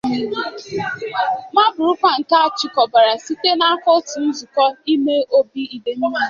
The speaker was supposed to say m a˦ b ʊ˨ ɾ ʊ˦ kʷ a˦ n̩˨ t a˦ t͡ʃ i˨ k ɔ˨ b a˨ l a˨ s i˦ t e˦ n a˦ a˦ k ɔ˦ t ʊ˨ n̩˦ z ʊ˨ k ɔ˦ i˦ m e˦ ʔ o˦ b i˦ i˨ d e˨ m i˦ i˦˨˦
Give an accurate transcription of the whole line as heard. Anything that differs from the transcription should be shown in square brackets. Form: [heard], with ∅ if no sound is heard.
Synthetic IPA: m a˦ b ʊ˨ ɾ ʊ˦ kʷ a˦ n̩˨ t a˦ t͡ʃ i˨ k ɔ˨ b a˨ [ɾ] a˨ s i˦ t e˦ n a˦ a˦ k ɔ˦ t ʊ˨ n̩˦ z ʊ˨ k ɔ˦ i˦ m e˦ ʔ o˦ b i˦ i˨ d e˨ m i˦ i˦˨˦